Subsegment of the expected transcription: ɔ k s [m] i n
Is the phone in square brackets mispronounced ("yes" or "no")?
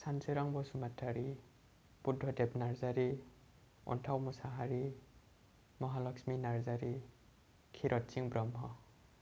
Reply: no